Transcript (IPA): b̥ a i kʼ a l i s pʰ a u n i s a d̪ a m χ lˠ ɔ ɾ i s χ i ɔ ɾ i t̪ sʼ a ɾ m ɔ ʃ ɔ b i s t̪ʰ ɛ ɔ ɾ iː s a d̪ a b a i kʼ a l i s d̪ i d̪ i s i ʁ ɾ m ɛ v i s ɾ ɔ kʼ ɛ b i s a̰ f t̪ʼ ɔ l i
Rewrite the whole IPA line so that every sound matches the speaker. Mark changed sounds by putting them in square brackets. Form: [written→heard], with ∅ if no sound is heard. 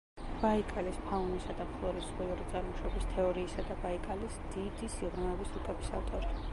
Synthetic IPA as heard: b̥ a i kʼ a l i s pʰ a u n i s a d̪ a m χ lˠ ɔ ɾ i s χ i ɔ ɾ i t̪ sʼ a ɾ m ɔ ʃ ɔ b i s t̪ʰ ɛ ɔ ɾ iː s a d̪ a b a i kʼ a l i s d̪ i d̪ i s i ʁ ɾ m ɛ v i s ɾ [ɔ→u] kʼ ɛ b i s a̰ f t̪ʼ ɔ [l→ɾ] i